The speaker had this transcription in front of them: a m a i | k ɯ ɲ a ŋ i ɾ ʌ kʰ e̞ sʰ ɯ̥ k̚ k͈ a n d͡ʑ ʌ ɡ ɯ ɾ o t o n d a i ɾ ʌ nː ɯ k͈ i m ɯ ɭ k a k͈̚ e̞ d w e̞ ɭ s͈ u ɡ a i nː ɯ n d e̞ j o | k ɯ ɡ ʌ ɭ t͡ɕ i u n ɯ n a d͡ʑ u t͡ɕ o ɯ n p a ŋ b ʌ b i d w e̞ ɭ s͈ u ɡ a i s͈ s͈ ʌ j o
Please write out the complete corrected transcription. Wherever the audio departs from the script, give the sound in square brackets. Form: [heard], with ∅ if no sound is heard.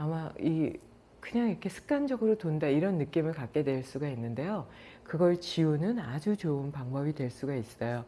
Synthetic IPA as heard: a m a i | k ɯ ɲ a ŋ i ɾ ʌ kʰ e̞ sʰ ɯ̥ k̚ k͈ a n d͡ʑ ʌ ɡ ɯ ɾ o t o n d a i ɾ ʌ nː ɯ k͈ i m ɯ ɭ k a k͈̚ e̞ d w e̞ ɭ s͈ u ɡ a i nː ɯ n d e̞ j o | k ɯ ɡ ʌ ɭ t͡ɕ i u n ɯ n a d͡ʑ u t͡ɕ o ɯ n p a ŋ b ʌ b i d w e̞ ɭ s͈ u ɡ a i s͈ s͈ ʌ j o